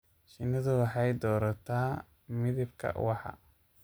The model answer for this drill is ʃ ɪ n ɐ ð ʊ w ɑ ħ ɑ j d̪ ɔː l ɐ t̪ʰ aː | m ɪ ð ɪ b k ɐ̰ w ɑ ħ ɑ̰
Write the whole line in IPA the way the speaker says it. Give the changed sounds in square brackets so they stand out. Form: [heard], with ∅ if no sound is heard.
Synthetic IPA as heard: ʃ ɪ n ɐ ð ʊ w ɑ ħ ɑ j d̪ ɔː [ɾ] ɐ t̪ʰ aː | m ɪ ð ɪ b [kʰ] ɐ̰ w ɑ ħ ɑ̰